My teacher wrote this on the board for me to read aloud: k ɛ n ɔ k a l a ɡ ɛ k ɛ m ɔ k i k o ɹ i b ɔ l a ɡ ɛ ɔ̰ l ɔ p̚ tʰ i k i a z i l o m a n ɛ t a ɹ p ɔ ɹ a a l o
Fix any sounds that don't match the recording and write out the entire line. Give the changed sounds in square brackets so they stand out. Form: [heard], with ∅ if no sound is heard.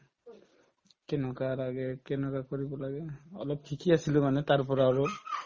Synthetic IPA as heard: k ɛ n ɔ k a l a ɡ ɛ k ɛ [n] ɔ k [a] k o ɹ i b ɔ l a ɡ ɛ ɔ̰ l ɔ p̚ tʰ i k i a [s] i l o m a n ɛ t a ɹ p ɔ ɹ a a [ɹ] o